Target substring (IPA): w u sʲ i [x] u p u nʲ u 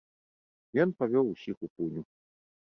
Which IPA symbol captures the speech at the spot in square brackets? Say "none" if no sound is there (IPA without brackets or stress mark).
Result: x